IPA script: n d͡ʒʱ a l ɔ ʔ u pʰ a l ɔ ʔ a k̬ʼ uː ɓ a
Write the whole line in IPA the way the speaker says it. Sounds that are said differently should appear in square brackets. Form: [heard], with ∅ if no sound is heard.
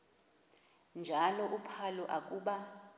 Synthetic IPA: n d͡ʒʱ a l ɔ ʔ u pʰ a l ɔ ʔ a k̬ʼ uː ɓ a